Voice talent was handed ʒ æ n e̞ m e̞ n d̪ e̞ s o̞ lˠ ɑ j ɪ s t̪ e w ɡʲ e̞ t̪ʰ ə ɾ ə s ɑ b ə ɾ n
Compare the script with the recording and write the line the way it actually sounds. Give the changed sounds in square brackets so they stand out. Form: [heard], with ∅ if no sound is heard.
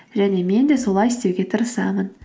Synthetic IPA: ʒ æ n e̞ m e̞ n d̪ e̞ s o̞ lˠ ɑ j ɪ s t̪ e w ɡʲ e̞ t̪ʰ ə ɾ ə s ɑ [m] ə [∅] n